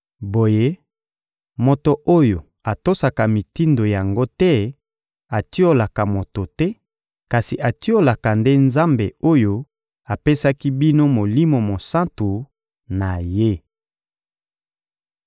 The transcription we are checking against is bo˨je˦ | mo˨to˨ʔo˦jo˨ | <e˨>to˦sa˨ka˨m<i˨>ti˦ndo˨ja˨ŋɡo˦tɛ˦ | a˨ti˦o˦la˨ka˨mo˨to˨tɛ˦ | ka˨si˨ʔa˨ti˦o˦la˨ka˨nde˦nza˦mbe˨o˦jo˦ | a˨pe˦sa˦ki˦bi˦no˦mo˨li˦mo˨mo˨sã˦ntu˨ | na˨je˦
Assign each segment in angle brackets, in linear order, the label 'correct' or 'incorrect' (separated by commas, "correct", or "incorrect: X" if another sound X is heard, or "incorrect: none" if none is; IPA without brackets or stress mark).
incorrect: a˨, correct